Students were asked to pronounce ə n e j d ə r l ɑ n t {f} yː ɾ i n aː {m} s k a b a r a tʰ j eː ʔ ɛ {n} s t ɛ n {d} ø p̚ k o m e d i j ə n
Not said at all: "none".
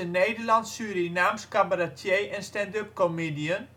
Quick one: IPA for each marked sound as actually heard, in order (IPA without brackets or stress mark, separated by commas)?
s, m, n, d